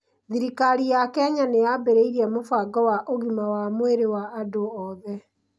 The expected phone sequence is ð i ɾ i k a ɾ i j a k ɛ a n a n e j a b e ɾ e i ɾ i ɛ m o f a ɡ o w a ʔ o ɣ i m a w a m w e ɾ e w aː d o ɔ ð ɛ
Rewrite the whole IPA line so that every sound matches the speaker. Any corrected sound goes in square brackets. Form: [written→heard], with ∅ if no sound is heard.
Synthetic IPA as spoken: ð i ɾ i k a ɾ i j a k ɛ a [n→ɲ] a n e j a b e ɾ e i ɾ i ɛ m o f a ɡ [o→ɔ] w a ʔ o ɣ i m a w a m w e ɾ e w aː d o ɔ ð ɛ

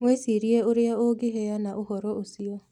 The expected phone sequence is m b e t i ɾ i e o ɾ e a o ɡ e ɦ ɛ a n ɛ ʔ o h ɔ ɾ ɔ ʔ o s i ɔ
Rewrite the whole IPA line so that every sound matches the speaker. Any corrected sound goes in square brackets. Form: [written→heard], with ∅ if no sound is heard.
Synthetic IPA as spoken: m [b→w] e [t→s] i ɾ i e o ɾ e a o ɡ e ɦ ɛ a n [ɛ→a] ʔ o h ɔ ɾ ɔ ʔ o s i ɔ

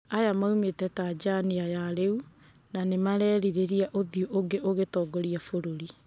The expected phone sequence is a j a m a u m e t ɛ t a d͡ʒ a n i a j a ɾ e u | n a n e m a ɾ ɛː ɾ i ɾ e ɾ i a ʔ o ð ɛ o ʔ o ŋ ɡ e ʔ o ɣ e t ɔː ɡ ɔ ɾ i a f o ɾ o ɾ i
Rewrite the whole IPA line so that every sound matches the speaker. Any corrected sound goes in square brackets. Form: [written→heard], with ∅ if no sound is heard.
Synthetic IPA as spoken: a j a m a u m e t ɛ t a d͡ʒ a n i a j a ɾ e u | n a n e m a ɾ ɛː ɾ i ɾ e ɾ i a ʔ o ð [ɛ→i] o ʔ o ŋ ɡ e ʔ o ɣ e t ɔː ɡ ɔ ɾ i a f o ɾ o ɾ i

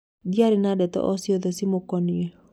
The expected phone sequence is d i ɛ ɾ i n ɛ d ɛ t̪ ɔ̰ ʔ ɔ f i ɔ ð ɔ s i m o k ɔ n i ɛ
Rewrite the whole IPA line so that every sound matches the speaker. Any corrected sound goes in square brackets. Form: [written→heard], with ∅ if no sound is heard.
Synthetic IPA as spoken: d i [ɛ→a] ɾ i n [ɛ→a] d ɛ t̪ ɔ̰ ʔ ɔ [f→s] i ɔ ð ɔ s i m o k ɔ n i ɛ

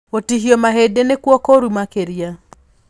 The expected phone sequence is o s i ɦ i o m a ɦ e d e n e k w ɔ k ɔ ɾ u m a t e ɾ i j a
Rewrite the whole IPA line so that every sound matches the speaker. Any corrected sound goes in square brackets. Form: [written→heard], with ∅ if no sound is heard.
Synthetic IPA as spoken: o [s→t] i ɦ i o m a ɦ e d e n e k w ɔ k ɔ ɾ u m a [t→k] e ɾ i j a

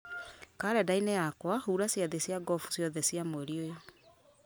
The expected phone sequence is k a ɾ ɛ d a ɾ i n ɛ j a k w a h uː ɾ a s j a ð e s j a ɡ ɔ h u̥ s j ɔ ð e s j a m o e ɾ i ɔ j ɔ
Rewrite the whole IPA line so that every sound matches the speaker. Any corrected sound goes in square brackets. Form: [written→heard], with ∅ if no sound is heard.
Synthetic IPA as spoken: k a ɾ ɛ d a [ɾ→∅] i n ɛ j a k w a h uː ɾ a s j a ð e s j a ɡ ɔ [h→f] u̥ s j ɔ ð [e→ɛ] s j a m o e ɾ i [ɔ→o] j ɔ

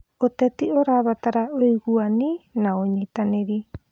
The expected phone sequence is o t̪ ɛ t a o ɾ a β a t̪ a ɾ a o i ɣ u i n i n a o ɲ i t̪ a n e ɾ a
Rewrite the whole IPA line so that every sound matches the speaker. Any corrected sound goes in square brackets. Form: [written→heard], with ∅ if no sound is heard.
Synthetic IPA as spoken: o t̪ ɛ t [a→i] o ɾ a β a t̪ a ɾ a o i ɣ u [i→a] n i n a o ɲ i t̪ a n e ɾ [a→i]

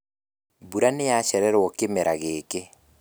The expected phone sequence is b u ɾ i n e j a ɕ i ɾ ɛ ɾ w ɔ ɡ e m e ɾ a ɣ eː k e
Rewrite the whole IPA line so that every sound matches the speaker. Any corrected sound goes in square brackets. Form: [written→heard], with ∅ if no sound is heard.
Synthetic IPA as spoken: b u ɾ [i→a] n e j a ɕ [i→ɛ] ɾ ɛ ɾ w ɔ [ɡ→k] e m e ɾ a ɣ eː k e

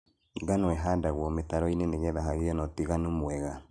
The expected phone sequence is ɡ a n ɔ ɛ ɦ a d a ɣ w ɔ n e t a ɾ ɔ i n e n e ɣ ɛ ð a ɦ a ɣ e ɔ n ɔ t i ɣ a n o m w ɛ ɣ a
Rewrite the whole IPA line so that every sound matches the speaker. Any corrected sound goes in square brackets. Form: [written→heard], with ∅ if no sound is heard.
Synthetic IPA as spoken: ɡ a n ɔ ɛ ɦ a d a ɣ w ɔ [n→m] e t a ɾ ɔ i n e n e ɣ ɛ ð a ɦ a ɣ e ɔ n ɔ t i ɣ a n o m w ɛ ɣ a

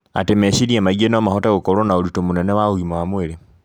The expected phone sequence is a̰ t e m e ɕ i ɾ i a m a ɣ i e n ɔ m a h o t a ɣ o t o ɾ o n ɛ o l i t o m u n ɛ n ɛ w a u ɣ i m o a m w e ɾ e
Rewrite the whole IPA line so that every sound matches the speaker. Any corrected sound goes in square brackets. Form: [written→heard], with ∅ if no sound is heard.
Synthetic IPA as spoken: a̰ t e m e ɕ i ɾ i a m a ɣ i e n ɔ m a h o t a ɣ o [t→k] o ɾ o n [ɛ→a] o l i t o m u n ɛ n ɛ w a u ɣ i m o a m w e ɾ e

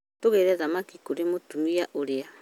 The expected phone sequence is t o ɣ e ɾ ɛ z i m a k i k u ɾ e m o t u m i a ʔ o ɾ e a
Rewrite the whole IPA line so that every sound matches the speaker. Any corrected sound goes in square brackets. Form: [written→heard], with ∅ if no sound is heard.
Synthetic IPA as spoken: t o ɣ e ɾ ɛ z [i→a] m a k i k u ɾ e m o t u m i a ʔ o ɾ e a

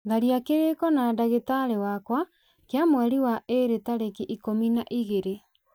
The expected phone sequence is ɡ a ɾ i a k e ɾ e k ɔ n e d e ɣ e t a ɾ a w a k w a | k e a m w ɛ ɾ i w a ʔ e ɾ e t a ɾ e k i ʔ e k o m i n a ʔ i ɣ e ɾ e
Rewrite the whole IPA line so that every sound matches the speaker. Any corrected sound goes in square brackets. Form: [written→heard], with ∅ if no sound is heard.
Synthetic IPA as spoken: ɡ a ɾ i a k e ɾ e k ɔ n [e→a] d [e→a] ɣ e t a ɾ [a→e] w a k w a | k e a m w ɛ ɾ i w a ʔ e ɾ e t a ɾ e k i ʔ [e→i] k o m i n a ʔ i ɣ e ɾ e

